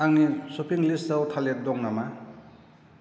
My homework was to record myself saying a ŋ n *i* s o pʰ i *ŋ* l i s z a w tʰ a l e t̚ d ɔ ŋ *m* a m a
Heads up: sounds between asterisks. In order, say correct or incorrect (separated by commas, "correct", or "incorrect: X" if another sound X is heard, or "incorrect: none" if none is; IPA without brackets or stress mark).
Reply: correct, correct, incorrect: n